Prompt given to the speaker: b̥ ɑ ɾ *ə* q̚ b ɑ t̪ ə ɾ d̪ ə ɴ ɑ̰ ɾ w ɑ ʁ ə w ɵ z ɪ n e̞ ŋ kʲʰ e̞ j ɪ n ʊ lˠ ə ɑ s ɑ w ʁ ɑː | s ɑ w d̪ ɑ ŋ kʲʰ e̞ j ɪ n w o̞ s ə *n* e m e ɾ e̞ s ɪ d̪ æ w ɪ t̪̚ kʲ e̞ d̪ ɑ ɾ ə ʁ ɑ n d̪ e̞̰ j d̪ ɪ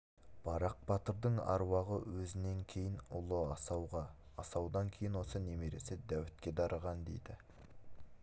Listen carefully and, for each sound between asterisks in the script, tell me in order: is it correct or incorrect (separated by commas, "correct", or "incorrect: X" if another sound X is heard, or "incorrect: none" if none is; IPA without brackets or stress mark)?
incorrect: ɑ, correct